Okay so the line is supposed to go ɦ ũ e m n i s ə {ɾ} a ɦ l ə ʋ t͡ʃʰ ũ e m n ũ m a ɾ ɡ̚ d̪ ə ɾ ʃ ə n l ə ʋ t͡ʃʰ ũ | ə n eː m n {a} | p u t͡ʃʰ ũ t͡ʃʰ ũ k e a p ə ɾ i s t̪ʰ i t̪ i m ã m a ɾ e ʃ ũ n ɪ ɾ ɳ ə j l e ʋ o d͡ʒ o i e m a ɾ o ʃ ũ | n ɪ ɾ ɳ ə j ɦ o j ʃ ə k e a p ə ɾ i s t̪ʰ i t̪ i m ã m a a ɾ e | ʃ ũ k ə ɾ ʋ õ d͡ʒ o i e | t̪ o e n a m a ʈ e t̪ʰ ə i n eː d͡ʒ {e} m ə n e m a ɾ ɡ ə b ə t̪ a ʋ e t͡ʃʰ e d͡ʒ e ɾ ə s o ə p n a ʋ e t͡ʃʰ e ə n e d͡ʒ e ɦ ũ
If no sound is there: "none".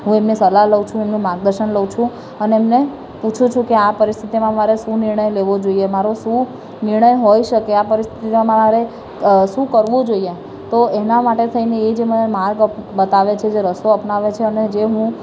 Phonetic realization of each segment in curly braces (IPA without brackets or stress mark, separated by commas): l, e, e